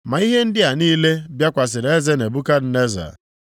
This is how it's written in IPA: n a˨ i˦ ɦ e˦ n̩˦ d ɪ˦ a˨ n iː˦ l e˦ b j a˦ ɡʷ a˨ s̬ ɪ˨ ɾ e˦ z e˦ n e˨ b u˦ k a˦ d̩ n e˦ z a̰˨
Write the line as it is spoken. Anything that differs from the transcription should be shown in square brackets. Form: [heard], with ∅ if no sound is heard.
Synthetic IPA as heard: [m] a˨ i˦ ɦ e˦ n̩˦ d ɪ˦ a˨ n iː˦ l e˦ b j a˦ [kʷ] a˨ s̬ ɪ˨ ɾ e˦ z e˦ n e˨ b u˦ k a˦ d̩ n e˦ z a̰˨